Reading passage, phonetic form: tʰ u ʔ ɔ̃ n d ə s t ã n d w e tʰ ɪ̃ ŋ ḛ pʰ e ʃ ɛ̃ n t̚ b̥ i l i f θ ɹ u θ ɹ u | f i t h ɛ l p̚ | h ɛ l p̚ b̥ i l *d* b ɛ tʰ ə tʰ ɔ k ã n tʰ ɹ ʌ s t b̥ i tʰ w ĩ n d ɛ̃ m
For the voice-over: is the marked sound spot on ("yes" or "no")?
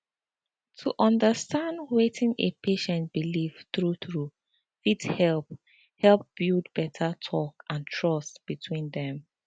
yes